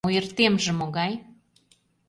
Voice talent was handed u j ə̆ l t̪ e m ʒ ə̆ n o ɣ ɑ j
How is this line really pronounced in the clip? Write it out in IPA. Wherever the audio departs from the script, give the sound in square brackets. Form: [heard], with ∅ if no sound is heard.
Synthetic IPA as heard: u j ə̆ [r] t̪ e m ʒ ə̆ [m] o ɣ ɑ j